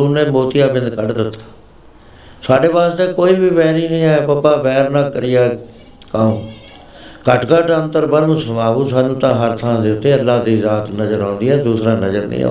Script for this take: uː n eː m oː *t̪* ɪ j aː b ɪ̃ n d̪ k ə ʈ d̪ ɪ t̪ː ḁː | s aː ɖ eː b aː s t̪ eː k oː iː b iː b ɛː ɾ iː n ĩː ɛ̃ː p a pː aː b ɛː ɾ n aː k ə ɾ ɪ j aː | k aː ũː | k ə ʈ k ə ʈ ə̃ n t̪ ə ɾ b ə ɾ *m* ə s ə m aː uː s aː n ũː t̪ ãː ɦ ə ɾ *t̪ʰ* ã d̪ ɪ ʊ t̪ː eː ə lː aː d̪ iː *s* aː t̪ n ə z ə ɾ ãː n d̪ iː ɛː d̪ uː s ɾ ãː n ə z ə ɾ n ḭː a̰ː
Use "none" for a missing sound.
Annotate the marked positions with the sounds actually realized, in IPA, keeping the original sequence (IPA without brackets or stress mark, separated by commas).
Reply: t̪, m, t̪ʰ, z